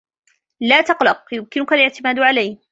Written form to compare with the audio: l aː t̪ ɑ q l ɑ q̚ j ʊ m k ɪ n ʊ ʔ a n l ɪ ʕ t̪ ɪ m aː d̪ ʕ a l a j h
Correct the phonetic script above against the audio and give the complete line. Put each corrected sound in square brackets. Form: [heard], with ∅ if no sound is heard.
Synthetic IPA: l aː t̪ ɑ q l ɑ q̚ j ʊ m k ɪ n ʊ [k] a [∅] l ɪ ʕ t̪ ɪ m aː d̪ ʕ a l a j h